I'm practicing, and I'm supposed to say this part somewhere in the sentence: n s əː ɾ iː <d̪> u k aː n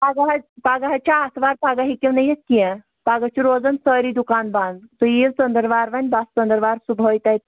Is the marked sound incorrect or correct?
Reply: correct